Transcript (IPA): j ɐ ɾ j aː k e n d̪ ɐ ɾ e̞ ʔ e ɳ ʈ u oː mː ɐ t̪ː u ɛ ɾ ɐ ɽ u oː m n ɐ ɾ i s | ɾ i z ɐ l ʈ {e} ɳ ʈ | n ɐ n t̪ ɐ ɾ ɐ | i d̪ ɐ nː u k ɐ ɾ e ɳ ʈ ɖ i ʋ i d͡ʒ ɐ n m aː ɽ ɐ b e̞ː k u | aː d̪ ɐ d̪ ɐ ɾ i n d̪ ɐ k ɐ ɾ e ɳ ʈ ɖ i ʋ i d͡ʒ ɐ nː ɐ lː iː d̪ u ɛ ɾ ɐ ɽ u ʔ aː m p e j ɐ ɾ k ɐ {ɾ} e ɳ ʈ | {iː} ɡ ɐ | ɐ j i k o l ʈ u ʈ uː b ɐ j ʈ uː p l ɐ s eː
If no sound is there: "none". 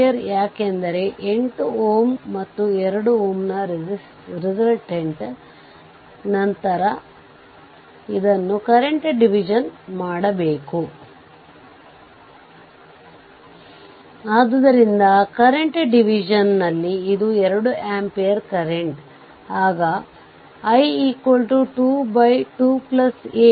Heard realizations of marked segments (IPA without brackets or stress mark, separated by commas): e, ɾ, aː